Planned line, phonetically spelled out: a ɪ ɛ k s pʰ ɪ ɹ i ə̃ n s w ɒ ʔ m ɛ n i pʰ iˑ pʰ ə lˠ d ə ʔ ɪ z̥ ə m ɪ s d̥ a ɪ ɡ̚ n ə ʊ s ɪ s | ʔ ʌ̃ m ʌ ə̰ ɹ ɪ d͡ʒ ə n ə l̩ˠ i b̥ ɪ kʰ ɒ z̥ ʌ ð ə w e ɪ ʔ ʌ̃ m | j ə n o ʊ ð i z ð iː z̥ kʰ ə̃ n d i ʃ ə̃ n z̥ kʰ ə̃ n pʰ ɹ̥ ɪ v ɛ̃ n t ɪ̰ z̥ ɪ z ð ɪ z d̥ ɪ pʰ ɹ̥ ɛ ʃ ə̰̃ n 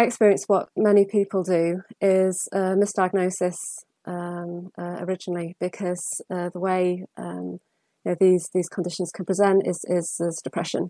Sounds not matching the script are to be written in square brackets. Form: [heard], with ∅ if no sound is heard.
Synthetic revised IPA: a ɪ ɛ k s [p] ɪ ɹ i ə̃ n s w ɒ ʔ m ɛ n i pʰ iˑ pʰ ə lˠ d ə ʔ ɪ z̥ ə m ɪ s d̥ a ɪ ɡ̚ n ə ʊ s ɪ s | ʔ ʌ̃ m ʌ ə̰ ɹ ɪ d͡ʒ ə n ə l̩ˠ i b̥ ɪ kʰ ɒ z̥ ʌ ð ə w e ɪ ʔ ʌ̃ m | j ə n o ʊ ð i z ð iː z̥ kʰ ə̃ n d [ɪ] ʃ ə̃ n z̥ kʰ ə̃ n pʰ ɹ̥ ɪ [z] ɛ̃ n t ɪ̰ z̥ ɪ z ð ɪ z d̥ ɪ pʰ ɹ̥ ɛ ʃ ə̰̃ n